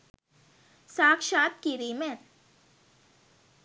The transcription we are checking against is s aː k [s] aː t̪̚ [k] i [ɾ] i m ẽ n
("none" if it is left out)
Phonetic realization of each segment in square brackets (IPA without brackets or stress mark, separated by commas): ʃ, k, ɾ